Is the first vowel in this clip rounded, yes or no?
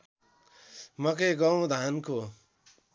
no